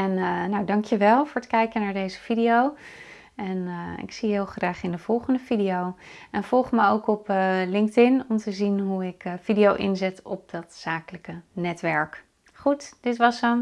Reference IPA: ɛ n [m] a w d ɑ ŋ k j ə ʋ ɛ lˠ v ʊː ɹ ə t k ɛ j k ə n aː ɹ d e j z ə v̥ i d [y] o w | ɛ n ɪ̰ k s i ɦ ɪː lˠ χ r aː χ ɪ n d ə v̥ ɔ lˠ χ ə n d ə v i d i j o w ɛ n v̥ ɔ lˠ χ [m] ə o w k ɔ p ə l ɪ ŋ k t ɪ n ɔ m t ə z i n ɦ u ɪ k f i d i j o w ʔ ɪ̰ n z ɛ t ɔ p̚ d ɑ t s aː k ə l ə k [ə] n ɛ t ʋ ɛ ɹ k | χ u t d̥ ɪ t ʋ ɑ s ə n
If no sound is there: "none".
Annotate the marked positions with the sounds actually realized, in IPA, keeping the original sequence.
n, i, m, ə

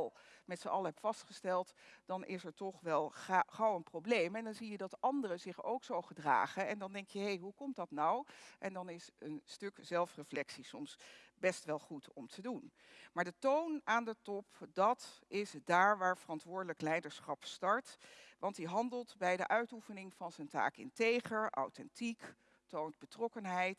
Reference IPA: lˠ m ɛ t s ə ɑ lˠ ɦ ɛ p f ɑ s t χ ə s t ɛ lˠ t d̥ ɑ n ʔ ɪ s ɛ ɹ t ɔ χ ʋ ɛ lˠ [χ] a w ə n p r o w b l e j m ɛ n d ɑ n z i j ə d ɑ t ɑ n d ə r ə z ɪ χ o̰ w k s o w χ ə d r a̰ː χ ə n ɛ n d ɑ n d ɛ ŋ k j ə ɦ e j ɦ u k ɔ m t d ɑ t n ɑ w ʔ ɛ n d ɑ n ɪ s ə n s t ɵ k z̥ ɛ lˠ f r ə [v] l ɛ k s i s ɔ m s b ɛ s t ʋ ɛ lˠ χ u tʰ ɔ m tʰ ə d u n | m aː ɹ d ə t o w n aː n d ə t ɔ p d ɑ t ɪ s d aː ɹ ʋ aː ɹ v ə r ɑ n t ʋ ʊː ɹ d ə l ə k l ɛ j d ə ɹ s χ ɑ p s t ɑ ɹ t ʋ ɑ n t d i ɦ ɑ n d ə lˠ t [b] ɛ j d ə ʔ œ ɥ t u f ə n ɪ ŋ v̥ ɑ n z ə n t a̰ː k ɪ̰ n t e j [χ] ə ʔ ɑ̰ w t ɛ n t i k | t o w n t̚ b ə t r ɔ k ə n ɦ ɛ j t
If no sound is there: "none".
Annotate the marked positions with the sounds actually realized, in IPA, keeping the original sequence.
χ, f, b, χ

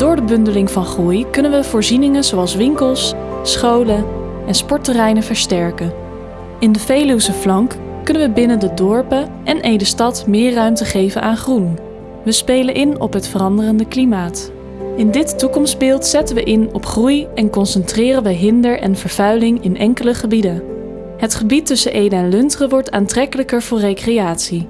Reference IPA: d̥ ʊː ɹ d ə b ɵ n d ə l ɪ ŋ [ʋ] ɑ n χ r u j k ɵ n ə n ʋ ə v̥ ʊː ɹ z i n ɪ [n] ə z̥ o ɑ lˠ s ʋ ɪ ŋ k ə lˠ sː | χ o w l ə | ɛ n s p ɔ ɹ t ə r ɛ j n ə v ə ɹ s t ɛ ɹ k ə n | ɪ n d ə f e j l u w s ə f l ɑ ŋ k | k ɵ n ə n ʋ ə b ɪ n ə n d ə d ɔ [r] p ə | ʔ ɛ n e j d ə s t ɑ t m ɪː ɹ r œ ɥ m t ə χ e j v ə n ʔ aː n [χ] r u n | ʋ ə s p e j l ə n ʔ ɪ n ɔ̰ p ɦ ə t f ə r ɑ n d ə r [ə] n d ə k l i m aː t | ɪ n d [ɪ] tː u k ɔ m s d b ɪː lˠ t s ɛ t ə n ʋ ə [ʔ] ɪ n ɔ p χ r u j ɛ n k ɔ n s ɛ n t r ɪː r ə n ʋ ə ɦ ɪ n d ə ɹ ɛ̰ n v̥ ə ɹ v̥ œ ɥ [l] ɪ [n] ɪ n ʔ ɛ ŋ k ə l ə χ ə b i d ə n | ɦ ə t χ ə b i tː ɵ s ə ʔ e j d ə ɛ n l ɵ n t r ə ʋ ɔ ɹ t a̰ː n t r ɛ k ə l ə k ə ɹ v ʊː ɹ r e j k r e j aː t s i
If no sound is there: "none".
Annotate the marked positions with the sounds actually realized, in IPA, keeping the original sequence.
v, ŋ, ɹ, χ, ə, ɪ, ʔ, l, ŋ

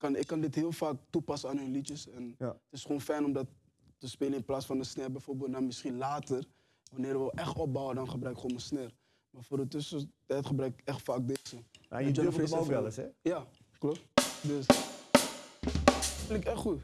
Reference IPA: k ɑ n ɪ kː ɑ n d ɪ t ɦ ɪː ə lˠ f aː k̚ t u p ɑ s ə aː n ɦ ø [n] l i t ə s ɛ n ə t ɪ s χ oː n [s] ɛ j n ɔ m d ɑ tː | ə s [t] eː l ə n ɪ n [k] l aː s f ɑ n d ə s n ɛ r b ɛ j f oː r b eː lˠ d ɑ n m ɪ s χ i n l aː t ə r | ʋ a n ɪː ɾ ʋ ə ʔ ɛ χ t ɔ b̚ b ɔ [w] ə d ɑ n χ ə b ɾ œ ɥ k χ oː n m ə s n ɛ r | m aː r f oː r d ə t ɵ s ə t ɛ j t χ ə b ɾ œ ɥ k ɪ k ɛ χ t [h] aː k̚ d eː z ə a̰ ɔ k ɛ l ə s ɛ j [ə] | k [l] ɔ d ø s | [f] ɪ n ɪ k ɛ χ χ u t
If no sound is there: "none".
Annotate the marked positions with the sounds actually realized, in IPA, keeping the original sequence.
n, f, p, p, w, f, a, l, f

